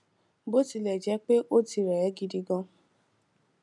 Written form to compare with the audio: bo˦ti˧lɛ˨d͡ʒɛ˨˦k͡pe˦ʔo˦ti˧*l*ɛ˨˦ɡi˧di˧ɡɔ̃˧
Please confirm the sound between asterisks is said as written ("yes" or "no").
no